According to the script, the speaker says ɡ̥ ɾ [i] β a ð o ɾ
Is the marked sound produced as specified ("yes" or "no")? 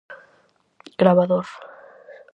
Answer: no